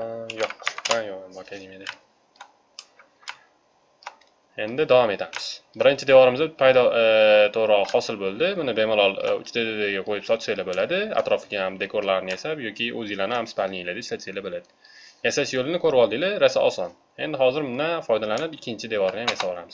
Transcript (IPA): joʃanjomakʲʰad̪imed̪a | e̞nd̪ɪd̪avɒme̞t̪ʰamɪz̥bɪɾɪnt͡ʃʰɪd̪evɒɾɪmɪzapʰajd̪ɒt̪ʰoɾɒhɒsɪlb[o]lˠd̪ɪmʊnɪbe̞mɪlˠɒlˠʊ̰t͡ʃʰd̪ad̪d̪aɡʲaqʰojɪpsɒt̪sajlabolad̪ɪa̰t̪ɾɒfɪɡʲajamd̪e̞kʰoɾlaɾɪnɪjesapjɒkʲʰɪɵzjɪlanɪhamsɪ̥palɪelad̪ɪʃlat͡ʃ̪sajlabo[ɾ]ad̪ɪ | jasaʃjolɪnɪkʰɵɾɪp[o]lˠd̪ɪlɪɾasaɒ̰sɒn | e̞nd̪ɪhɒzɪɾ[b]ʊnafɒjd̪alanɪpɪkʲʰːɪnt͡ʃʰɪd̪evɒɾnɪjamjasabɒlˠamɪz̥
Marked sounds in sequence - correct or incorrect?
correct, incorrect, incorrect, incorrect

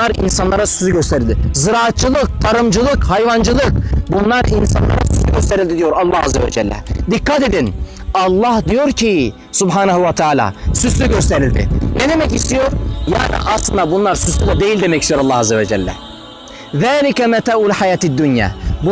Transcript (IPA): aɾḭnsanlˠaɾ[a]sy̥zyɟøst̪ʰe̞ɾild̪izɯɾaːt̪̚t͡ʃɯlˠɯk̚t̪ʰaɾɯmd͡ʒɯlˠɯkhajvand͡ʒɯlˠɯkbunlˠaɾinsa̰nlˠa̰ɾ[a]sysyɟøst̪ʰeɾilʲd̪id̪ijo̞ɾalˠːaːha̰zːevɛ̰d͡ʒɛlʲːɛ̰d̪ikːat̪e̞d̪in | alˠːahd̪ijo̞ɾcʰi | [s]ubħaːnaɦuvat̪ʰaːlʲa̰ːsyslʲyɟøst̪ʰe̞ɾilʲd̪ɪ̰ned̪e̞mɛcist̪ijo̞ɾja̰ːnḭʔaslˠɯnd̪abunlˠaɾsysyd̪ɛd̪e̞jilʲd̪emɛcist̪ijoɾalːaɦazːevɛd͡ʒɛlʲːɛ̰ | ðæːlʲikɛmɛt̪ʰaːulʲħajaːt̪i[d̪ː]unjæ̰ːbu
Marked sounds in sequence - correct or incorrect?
correct, correct, correct, correct

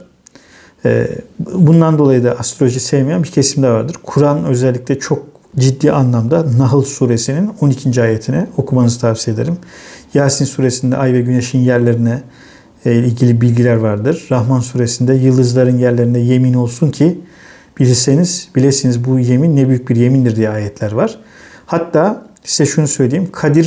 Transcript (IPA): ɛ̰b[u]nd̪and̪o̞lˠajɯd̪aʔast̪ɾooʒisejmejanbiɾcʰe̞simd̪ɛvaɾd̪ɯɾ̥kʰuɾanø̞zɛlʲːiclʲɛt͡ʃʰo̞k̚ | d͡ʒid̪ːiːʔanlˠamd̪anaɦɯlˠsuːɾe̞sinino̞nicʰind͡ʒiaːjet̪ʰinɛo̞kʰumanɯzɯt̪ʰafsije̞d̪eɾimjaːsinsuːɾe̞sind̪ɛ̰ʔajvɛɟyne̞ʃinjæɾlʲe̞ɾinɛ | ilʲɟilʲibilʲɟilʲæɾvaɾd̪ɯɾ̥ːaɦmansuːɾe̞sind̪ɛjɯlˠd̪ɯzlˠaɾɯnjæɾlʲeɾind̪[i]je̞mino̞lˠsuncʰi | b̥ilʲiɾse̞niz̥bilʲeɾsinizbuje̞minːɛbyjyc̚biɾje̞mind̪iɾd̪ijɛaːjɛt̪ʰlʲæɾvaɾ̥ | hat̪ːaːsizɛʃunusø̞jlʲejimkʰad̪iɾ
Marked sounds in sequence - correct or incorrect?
correct, incorrect

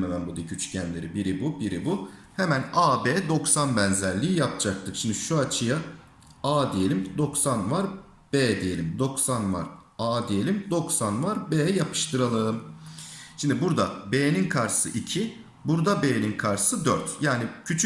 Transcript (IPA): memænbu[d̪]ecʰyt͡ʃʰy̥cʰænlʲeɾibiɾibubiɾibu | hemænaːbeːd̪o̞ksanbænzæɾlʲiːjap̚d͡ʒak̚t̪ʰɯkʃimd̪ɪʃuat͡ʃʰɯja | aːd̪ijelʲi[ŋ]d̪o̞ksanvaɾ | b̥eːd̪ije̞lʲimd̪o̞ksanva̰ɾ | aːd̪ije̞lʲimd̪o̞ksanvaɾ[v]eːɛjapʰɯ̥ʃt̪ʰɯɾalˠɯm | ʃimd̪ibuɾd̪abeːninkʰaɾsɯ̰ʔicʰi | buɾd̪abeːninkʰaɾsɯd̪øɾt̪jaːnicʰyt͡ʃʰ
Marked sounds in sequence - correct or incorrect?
correct, incorrect, incorrect

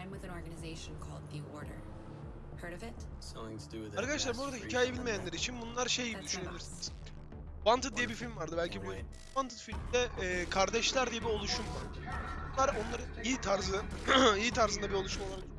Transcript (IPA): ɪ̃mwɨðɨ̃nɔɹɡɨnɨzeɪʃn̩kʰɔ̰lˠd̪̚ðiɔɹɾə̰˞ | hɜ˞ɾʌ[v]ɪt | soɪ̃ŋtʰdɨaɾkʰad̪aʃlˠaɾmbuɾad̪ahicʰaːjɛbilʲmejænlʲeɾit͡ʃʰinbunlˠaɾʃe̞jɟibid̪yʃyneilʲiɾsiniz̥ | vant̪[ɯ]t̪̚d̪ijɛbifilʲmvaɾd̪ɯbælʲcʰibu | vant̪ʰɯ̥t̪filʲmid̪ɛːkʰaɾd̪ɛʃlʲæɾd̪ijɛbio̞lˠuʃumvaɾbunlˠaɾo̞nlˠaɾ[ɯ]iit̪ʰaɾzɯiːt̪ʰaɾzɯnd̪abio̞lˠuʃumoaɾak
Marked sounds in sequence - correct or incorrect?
correct, correct, correct

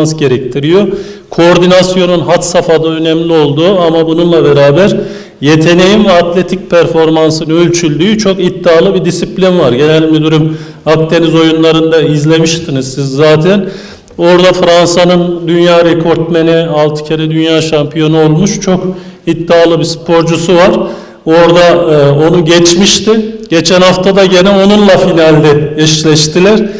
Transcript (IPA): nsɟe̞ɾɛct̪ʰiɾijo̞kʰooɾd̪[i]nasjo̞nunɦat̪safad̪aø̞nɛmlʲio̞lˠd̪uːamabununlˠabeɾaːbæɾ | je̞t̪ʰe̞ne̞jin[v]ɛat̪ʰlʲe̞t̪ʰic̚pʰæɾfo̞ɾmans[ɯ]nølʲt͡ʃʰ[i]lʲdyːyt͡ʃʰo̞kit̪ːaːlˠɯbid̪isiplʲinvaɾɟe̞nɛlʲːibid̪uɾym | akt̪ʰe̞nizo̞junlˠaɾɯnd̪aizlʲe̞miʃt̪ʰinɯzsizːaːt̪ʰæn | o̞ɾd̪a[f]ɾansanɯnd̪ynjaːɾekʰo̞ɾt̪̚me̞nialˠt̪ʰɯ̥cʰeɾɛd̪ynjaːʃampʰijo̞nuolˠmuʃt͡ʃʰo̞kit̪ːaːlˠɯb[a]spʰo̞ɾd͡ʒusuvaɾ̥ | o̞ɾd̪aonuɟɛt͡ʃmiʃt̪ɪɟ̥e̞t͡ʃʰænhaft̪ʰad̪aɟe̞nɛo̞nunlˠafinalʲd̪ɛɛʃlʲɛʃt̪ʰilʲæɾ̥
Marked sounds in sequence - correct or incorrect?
correct, correct, correct, incorrect, correct, incorrect

